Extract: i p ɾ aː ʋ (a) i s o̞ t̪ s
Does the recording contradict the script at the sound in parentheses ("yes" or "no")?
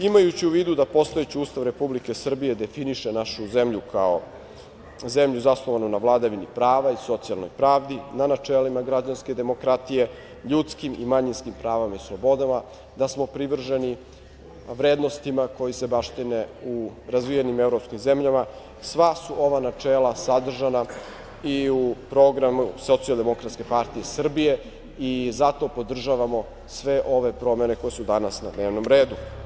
no